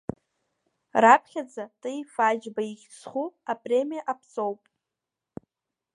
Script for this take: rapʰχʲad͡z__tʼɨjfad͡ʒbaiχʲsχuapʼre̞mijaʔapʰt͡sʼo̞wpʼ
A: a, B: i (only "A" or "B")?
A